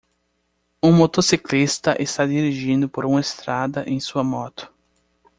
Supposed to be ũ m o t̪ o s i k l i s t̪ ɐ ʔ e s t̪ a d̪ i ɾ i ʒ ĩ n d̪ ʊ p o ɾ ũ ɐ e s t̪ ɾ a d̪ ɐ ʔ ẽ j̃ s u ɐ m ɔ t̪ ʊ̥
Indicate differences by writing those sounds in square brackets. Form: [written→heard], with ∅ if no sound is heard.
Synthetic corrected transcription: ũ m o t̪ o s i k l i s t̪ ɐ ʔ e s t̪ a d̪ i ɾ i ʒ ĩ n d̪ ʊ p o ɾ ũ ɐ e s t̪ ɾ a d̪ ɐ ʔ ẽ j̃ s u ɐ m ɔ t̪ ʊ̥

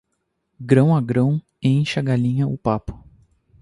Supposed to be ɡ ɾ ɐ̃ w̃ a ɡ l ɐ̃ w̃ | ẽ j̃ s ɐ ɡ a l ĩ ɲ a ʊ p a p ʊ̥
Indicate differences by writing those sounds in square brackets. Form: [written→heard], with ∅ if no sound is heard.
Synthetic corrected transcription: ɡ ɾ ɐ̃ w̃ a ɡ [l→ɾ] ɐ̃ w̃ | ẽ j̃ [s→ʃ] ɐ ɡ a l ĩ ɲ [a→ɐ] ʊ p a p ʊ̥

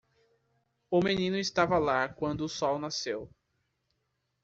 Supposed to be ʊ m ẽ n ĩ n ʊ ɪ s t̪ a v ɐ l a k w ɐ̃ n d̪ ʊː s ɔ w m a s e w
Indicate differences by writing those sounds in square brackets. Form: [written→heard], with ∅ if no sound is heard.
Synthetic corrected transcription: ʊ m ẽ n ĩ n ʊ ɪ s t̪ a v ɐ l a k w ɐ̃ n d̪ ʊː s ɔ w [m→n] a s e w

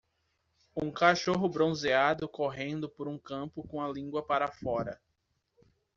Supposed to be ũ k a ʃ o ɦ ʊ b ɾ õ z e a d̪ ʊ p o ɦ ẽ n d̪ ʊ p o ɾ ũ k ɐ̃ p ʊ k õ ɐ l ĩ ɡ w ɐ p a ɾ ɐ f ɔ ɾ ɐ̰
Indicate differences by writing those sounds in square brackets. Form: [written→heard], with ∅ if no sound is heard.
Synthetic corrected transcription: ũ k a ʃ o ɦ ʊ b ɾ õ z e a d̪ ʊ [p→k] o ɦ ẽ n d̪ ʊ p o ɾ ũ k ɐ̃ p ʊ k õ ɐ l ĩ ɡ w ɐ p a ɾ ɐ f ɔ ɾ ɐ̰

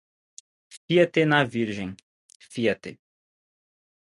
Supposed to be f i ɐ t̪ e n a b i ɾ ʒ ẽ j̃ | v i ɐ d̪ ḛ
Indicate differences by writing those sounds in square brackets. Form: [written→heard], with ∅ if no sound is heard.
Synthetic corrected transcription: f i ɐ t̪ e n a [b→v] i ɾ ʒ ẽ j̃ | [v→f] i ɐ [d̪→t̪] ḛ

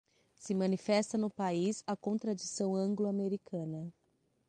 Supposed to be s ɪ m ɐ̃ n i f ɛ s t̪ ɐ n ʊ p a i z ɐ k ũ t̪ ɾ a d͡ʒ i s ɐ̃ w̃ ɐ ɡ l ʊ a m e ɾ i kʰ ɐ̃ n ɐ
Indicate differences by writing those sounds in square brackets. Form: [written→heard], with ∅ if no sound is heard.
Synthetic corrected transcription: s ɪ m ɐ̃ n i f ɛ s t̪ ɐ n ʊ p a i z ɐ k [ũ→õ] t̪ ɾ a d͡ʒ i s ɐ̃ w̃ [ɐ→ɐ̃] ɡ l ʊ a m e ɾ i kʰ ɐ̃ n ɐ

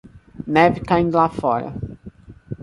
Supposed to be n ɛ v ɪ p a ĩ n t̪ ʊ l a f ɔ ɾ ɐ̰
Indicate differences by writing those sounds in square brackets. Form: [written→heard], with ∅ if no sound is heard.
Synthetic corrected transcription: n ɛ v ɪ [p→k] a ĩ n [t̪→d̪] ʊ l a f ɔ ɾ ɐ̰

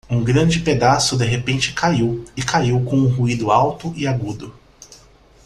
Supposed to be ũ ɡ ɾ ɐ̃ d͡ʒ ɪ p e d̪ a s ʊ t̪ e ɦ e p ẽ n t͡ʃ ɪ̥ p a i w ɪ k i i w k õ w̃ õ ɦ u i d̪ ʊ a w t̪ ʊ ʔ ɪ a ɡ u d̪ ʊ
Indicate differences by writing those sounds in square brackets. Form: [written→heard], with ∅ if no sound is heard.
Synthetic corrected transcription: ũ ɡ ɾ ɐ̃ d͡ʒ ɪ p e d̪ a s ʊ [t̪→d̪] e ɦ e p ẽ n t͡ʃ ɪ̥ [p→k] a i w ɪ k [i→a] i w k õ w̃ [õ→ũ] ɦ u i d̪ ʊ a w t̪ ʊ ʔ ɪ a ɡ u d̪ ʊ

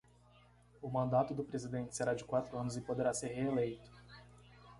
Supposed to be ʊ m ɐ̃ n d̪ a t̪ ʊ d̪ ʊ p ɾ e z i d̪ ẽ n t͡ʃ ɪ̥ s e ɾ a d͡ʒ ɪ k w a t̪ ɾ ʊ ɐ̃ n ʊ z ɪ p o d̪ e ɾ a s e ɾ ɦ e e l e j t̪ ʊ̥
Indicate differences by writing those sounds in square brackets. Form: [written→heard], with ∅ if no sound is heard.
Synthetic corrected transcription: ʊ m ɐ̃ n d̪ a t̪ ʊ d̪ ʊ p ɾ e z i d̪ ẽ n t͡ʃ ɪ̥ s e ɾ a d͡ʒ ɪ k w a t̪ ɾ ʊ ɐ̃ n ʊ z ɪ p o d̪ e ɾ a s e ɾ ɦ e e l e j t̪ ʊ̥

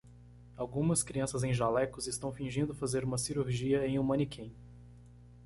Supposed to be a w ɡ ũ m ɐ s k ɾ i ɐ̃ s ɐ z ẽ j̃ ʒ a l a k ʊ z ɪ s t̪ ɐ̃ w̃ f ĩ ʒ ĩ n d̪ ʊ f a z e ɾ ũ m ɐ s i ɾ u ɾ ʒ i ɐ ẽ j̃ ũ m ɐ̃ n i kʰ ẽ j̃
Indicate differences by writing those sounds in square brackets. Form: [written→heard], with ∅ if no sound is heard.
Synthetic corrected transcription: a w ɡ ũ m ɐ s k ɾ i ɐ̃ s ɐ z ẽ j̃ ʒ a l [a→ɛ] k ʊ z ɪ s t̪ ɐ̃ w̃ f ĩ ʒ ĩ n d̪ ʊ f a z e ɾ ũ m ɐ s i ɾ u ɾ ʒ i ɐ ẽ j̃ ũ m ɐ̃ n i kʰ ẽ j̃

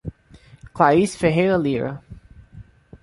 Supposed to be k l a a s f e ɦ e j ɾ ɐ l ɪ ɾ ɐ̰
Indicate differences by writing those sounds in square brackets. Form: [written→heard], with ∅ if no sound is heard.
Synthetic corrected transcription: k l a [a→i] s f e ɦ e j ɾ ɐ l [ɪ→i] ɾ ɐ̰

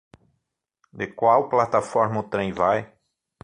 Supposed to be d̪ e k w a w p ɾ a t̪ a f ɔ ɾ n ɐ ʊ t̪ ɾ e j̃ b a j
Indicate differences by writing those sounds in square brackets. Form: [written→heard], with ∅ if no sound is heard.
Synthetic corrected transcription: d̪ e k w a w p [ɾ→l] a t̪ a f ɔ ɾ [n→m] ɐ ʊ t̪ ɾ [e→ẽ] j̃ [b→v] a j

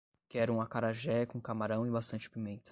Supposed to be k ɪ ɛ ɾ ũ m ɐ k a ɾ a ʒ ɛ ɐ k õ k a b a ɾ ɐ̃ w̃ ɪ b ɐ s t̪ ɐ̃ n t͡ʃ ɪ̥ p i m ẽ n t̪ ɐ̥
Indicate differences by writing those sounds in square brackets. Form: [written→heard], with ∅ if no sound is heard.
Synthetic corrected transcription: k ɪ ɛ ɾ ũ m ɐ k a ɾ a ʒ ɛ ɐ k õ k a [b→m] a ɾ ɐ̃ w̃ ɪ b [ɐ→a] s t̪ ɐ̃ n t͡ʃ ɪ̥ p i m ẽ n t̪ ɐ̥

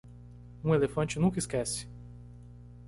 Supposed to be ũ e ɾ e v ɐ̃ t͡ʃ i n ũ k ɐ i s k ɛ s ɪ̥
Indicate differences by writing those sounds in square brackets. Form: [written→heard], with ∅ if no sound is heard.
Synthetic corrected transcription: ũ e [ɾ→l] e [v→f] ɐ̃ t͡ʃ [i→ɪ] n ũ k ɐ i s k ɛ s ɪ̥

